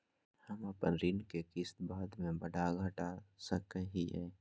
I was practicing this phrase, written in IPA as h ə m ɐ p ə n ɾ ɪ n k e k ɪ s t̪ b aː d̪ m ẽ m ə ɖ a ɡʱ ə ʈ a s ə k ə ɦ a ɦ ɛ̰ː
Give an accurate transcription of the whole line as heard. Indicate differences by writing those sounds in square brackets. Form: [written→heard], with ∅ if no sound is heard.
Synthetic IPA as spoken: h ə m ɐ p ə n ɾ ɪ n k e k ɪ s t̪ b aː d̪ m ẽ [m→b] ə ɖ a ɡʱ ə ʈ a s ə k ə ɦ [a→i] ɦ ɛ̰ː